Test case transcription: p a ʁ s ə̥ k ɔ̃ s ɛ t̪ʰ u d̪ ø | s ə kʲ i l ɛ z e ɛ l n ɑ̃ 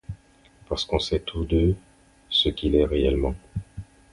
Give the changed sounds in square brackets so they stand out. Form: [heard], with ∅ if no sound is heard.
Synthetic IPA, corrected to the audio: p a ʁ s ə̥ k ɔ̃ s ɛ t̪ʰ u d̪ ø | s ə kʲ i l ɛ [ʁ] e ɛ l [m] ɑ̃